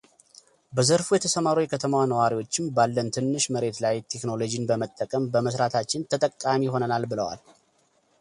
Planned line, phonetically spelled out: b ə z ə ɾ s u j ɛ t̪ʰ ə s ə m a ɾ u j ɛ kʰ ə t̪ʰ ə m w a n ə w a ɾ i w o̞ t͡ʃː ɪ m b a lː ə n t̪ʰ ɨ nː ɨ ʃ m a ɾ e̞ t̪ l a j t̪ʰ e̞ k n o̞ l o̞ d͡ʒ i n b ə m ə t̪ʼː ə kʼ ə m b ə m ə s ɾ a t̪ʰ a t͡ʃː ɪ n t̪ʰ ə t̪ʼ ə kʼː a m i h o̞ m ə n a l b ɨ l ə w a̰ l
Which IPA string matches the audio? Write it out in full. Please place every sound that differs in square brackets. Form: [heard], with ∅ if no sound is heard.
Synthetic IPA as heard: b ə z ə ɾ [f] u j ɛ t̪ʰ ə s ə m a ɾ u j ɛ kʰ ə t̪ʰ ə m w a n ə w a ɾ i w o̞ t͡ʃː ɪ m b a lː ə n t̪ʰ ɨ nː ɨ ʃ m [ə] ɾ e̞ t̪ l a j t̪ʰ e̞ k n o̞ l o̞ d͡ʒ i n b ə m ə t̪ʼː ə kʼ ə m b ə m ə s ɾ a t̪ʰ a t͡ʃː ɪ n t̪ʰ ə t̪ʼ ə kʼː a m i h o̞ [n] ə n a l b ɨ l ə w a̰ l